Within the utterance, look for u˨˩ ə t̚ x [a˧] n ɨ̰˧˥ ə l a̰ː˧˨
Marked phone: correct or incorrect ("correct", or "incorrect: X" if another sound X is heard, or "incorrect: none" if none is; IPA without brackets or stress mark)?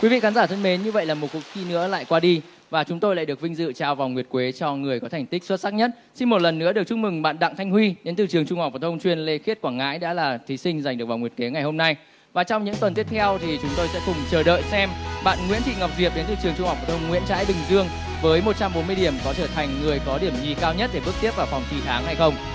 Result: incorrect: i˧